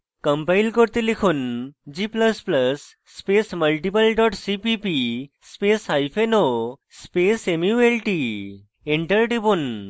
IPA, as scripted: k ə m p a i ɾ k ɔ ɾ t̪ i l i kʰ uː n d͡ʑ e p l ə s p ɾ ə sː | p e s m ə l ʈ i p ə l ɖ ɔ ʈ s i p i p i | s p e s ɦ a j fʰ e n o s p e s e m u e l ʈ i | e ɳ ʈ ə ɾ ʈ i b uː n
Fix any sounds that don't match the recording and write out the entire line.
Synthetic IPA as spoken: k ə m p a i l k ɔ ɾ t̪ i l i kʰ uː n d͡ʑ i p l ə s p l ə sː | p e s m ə l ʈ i p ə l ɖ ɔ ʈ s i p i p i | s p e s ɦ a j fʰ e n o s p e s e m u e l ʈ i | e ɳ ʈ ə ɾ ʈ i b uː n